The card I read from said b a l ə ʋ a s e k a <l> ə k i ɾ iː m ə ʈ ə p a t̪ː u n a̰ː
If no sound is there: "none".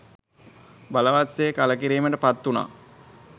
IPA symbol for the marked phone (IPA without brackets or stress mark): l